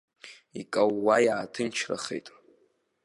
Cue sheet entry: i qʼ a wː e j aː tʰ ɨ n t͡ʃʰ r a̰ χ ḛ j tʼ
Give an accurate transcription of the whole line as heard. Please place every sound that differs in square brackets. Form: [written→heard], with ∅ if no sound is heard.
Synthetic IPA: i [qʼ→kʼ] a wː [e→a] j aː tʰ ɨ n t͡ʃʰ r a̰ χ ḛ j tʼ